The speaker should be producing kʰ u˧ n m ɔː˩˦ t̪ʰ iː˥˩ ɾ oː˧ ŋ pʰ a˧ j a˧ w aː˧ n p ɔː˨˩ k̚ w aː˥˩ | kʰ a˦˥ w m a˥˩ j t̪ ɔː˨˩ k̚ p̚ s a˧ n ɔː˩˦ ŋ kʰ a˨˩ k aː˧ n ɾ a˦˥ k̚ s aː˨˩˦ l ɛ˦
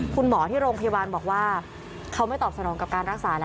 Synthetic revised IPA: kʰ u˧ n m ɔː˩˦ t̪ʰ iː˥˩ ɾ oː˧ ŋ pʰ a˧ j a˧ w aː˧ n b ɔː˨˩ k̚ w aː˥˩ | kʰ a˦˥ w m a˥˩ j t̪ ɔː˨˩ p̚ s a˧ n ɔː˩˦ ŋ k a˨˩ k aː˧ n ɾ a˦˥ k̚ s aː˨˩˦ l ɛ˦